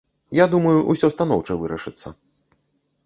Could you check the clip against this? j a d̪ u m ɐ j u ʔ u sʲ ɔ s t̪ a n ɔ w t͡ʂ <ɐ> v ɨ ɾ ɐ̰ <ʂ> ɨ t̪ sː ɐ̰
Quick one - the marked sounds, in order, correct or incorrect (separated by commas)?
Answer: correct, correct